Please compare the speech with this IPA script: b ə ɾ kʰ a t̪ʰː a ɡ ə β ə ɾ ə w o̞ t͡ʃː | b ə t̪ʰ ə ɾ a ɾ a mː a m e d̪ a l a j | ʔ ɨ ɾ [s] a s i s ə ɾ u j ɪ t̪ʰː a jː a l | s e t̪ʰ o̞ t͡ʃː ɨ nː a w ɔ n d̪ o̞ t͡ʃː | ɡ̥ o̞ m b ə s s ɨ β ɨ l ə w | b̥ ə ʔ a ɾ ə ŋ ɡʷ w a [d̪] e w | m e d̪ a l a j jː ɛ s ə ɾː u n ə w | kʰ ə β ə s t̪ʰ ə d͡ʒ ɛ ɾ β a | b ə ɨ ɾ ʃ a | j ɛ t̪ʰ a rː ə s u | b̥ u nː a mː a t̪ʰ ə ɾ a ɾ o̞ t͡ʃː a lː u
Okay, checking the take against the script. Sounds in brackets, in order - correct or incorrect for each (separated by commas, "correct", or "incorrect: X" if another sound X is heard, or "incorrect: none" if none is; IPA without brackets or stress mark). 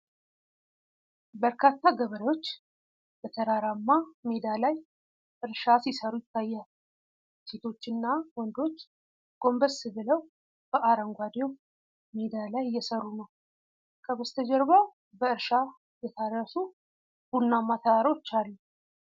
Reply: incorrect: ʃ, correct